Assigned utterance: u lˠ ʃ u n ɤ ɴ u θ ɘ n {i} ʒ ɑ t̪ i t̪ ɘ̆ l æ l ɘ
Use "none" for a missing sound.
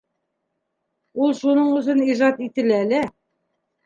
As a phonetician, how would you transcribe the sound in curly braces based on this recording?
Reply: i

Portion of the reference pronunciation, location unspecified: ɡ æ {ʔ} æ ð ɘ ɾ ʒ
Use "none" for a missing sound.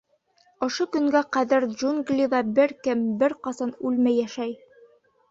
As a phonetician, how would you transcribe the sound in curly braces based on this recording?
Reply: q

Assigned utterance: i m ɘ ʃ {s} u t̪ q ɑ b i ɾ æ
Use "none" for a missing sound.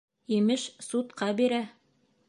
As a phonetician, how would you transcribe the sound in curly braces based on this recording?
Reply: s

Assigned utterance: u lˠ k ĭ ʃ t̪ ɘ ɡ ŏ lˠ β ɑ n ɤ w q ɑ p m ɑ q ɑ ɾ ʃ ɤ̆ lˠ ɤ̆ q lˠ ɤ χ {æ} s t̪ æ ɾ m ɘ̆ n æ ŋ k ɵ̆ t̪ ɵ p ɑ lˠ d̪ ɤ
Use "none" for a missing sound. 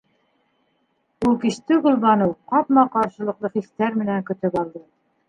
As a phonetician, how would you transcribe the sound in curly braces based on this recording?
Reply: i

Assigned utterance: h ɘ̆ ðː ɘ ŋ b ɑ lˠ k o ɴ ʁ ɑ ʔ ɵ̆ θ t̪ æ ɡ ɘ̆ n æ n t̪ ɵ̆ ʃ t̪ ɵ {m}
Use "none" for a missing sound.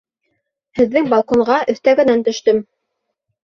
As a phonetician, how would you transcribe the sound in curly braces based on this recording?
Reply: m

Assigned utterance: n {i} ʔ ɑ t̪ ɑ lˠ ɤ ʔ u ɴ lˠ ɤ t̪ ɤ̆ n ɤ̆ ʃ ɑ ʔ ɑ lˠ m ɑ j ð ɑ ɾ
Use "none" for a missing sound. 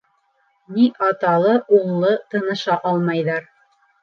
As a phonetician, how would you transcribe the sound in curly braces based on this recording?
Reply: i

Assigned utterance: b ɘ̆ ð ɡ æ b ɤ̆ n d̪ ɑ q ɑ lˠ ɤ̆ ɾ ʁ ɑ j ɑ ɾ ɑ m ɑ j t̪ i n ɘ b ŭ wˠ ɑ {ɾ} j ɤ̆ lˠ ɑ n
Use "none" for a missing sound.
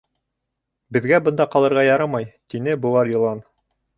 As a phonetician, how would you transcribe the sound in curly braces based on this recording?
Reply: ɾ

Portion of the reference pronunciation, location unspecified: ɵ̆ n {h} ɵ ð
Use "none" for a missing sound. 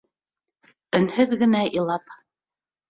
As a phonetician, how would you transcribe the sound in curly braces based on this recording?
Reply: h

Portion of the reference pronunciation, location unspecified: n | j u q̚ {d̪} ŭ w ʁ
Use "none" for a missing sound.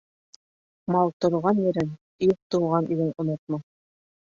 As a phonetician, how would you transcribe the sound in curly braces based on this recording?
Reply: t̪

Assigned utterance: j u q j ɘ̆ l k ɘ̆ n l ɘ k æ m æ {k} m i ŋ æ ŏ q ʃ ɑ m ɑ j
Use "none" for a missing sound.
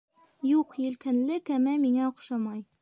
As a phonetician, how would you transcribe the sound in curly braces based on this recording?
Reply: none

